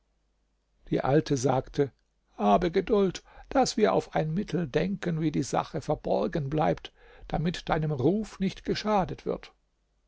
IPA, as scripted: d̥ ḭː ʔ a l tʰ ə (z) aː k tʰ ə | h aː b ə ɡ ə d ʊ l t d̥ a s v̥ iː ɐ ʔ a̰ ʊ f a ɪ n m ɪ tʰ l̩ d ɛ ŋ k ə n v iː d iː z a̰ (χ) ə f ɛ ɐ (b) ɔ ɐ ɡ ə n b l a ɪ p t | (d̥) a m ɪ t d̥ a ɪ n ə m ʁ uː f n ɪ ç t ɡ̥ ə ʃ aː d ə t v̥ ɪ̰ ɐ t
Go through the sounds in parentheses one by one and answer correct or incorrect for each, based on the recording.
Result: correct, correct, correct, correct

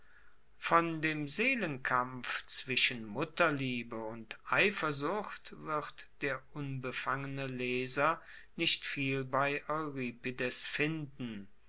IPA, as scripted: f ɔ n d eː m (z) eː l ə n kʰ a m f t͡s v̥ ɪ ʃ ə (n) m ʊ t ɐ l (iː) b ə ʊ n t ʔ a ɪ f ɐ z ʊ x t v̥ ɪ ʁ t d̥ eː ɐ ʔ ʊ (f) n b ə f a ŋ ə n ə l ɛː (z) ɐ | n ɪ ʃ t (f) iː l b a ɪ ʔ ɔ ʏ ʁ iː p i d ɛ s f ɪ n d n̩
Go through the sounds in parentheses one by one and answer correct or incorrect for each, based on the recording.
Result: correct, correct, correct, incorrect: none, correct, correct

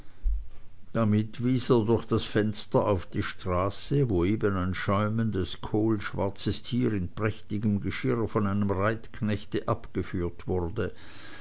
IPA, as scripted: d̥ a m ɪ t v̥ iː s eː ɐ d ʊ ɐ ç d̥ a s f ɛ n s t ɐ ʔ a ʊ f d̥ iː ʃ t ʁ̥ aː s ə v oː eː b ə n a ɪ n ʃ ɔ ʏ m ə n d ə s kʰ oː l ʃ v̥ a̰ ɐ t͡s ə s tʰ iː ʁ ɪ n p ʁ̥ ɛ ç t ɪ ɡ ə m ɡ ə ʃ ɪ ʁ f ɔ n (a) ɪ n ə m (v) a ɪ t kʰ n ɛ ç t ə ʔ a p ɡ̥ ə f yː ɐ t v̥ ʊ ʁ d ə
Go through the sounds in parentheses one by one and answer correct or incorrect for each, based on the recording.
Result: correct, incorrect: ʁ

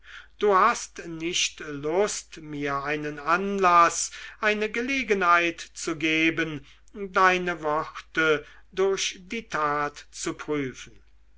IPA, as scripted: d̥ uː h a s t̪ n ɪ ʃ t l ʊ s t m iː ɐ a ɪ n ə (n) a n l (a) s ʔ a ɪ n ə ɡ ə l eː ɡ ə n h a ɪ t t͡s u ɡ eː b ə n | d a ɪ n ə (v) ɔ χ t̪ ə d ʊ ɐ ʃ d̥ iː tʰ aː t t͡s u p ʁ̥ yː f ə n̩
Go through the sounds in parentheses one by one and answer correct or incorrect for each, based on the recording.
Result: correct, correct, correct

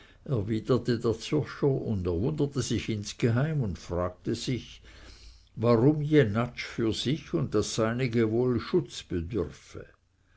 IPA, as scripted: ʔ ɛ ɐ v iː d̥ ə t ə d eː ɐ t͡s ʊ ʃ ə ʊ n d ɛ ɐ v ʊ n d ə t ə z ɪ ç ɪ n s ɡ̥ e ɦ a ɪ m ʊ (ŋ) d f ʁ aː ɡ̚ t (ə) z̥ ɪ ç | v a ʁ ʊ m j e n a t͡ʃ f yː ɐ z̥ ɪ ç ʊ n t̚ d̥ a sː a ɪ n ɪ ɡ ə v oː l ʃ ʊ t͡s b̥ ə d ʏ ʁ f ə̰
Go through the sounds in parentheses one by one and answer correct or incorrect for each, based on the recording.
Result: incorrect: n, correct

